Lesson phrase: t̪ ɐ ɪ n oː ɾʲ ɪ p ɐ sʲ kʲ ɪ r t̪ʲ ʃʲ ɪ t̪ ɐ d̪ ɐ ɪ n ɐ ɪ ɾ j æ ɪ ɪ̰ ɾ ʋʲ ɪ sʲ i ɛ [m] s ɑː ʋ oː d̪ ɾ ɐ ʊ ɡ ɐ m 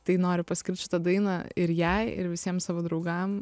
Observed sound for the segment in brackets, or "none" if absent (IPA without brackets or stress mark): m